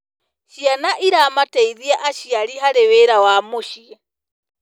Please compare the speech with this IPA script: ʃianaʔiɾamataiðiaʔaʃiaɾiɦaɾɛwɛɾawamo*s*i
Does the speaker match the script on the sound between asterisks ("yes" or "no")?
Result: no